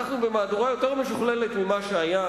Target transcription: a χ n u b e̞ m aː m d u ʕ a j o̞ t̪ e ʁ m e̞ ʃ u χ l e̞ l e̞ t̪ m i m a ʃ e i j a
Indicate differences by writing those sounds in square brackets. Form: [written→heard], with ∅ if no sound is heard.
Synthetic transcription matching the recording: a χ n u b e̞ m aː [m→∅] d u [ʕ→ʁ] a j o̞ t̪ e ʁ m e̞ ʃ u χ l e̞ l e̞ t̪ m i m a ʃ e [i→a] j a